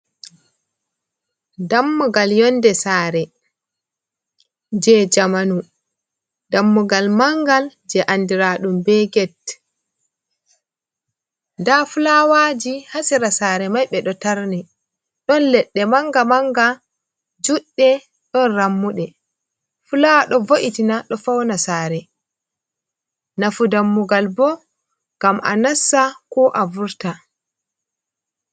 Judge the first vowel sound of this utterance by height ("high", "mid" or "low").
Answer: low